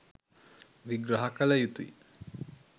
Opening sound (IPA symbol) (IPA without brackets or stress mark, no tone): ʋ